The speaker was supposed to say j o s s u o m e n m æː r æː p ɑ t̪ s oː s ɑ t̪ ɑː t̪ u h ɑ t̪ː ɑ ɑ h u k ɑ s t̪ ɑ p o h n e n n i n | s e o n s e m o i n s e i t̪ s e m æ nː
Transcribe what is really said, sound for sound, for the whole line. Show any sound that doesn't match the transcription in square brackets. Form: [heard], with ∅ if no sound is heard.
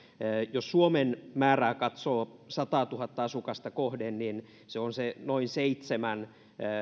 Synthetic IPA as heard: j o s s u o m e n m æː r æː [k] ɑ t̪ s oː s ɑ t̪ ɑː t̪ u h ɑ t̪ː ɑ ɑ [s] u k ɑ s t̪ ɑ [k] o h [d] e n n i n | s e o n s e [n] o i n s e i t̪ s e m æ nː